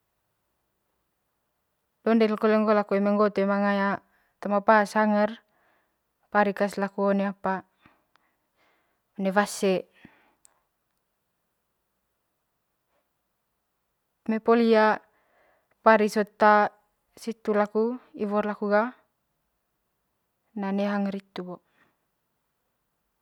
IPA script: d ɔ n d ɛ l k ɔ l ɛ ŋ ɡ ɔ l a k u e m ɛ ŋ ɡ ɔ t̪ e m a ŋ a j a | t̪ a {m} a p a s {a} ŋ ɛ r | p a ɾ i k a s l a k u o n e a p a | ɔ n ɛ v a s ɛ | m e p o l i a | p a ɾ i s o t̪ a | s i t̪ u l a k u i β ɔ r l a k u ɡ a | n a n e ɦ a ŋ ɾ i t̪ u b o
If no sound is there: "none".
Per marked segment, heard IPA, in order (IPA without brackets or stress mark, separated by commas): m, a